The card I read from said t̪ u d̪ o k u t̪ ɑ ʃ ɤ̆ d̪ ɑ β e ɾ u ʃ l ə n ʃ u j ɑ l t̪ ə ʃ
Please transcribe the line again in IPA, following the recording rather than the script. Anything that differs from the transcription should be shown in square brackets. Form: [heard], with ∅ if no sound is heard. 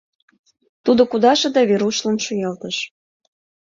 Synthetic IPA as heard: t̪ u d̪ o k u [d̪] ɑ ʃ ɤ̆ d̪ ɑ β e ɾ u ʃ l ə n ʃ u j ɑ l t̪ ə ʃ

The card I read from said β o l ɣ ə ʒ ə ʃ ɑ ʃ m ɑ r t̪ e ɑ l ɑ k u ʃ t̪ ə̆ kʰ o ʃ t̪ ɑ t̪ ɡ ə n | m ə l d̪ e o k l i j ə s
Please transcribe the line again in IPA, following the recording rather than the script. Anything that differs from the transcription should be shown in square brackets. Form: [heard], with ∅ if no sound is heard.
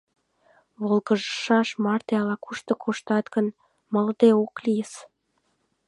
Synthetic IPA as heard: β o l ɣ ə ʒ ə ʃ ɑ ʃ m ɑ r t̪ e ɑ l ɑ k u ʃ t̪ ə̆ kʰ o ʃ t̪ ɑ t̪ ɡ ə n | m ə l d̪ e o k l i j ə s

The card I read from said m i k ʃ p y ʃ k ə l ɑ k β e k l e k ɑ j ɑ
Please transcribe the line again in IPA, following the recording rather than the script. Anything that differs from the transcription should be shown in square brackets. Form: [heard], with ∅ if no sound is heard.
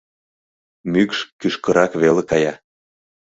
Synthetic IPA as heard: m [y] k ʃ [k] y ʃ k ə [ɾ] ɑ k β e [∅] l e k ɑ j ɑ

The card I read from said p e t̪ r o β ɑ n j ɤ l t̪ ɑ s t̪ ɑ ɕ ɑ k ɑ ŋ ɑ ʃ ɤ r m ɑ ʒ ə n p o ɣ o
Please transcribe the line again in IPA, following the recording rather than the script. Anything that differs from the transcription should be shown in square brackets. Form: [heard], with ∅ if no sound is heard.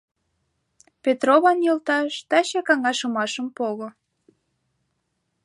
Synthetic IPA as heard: p e t̪ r o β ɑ n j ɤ l t̪ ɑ [ʃ] t̪ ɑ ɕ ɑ k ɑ ŋ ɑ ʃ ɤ [∅] m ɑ [ʃ] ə [m] p o ɣ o

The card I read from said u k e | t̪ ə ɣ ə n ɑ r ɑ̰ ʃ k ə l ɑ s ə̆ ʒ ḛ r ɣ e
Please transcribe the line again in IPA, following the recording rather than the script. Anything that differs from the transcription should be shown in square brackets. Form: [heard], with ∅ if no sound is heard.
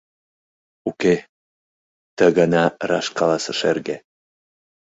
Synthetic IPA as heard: u k e | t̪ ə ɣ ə n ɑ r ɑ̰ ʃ k [ɑ] l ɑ s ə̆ [ʃ] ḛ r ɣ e

